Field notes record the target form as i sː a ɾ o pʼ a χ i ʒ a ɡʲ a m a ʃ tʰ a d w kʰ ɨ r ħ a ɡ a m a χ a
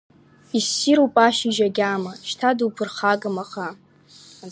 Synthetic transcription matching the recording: i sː i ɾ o pʼ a ʃ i ʒ a ɡʲ a m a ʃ tʰ a d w pʰ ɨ r χ a ɡ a m a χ a